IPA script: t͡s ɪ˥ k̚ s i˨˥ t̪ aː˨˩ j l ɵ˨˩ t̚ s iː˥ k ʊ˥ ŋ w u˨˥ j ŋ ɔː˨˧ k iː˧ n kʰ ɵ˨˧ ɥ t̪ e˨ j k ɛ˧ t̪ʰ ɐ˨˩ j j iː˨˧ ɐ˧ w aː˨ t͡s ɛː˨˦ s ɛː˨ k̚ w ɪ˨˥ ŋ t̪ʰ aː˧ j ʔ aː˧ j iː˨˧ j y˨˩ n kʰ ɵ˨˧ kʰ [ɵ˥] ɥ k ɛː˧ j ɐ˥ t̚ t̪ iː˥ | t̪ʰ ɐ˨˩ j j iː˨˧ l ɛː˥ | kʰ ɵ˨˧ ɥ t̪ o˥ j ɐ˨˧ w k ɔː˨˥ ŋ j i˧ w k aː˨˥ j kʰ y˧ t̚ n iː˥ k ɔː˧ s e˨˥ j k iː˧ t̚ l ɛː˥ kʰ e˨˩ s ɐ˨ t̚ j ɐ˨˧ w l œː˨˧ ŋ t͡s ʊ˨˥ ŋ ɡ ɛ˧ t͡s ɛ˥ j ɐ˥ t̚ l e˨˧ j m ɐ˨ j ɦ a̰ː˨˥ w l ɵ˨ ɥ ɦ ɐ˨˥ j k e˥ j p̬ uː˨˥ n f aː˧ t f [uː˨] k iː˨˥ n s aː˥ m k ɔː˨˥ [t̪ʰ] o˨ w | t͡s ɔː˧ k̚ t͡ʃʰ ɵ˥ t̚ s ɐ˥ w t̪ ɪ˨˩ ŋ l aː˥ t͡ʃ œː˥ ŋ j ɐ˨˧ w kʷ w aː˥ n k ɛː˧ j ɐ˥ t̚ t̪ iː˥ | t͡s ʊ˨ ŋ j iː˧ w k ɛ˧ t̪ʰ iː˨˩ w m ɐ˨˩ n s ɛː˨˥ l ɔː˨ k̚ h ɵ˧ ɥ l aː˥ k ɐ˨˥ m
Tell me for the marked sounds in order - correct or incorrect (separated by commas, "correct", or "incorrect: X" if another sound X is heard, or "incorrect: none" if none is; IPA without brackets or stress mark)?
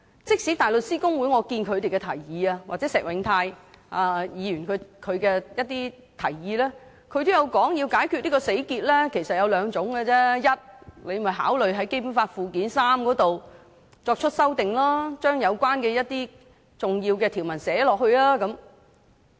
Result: incorrect: ɵ˨˧, correct, incorrect: t̪